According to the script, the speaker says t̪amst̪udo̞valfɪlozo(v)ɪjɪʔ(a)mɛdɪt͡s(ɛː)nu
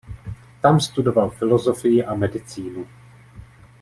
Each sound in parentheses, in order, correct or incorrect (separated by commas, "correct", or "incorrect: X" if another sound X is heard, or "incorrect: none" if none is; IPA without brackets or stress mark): incorrect: f, correct, incorrect: iː